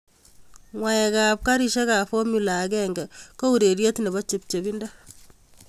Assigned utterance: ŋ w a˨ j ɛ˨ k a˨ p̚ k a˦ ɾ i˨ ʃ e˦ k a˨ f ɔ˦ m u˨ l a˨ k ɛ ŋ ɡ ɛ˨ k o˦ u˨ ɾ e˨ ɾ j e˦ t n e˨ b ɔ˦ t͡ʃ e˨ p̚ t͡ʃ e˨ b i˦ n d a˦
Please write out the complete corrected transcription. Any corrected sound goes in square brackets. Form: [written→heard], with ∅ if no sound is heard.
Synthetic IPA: ŋ w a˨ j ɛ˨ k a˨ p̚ k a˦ ɾ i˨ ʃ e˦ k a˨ f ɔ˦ m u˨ l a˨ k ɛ ŋ ɡ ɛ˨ k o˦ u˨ ɾ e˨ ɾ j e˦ t n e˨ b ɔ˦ t͡ʃ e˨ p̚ t͡ʃ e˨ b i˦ n d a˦